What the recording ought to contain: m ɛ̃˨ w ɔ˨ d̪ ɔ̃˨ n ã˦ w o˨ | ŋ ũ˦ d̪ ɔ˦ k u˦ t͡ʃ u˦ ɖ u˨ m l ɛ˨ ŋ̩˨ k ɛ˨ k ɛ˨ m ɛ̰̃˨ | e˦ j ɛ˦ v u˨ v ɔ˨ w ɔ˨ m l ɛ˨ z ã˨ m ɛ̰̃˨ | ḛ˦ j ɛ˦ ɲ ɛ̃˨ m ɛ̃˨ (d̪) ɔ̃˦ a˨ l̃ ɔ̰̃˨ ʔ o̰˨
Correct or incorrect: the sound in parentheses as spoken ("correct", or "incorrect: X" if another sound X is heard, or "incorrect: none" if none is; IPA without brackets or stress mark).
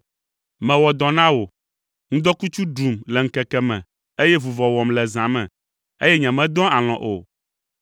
correct